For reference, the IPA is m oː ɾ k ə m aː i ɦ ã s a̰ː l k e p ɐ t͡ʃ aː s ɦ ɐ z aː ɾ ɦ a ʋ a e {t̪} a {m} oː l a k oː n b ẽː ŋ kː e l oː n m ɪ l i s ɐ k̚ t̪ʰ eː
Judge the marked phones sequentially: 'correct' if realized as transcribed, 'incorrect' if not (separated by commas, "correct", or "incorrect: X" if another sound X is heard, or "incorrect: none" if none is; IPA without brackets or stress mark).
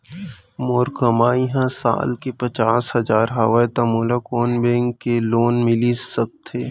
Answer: correct, correct